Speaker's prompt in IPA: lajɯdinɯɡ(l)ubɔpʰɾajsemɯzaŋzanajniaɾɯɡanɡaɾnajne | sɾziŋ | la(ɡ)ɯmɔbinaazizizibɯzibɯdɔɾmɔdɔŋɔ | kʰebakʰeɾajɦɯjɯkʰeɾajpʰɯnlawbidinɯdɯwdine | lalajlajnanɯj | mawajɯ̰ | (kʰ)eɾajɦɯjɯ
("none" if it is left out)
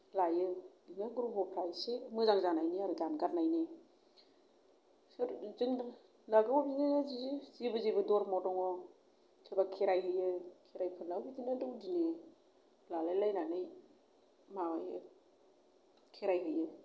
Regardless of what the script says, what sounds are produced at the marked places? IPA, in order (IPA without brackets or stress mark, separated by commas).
ɾ, ɡ, kʰ